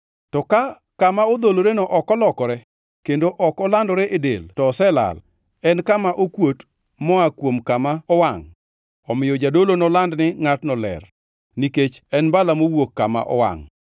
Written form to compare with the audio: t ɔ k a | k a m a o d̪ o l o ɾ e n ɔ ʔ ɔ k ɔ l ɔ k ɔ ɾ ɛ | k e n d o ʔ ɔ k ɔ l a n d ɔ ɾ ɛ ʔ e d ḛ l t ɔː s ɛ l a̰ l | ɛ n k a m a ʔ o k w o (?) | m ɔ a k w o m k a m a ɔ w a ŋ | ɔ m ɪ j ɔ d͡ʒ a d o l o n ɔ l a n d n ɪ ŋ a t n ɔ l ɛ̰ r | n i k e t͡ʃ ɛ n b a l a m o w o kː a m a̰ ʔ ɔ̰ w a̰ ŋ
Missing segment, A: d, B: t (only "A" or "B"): B